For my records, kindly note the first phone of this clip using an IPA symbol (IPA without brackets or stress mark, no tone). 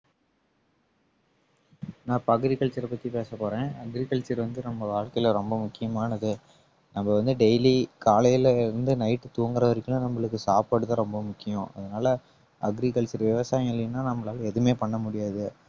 n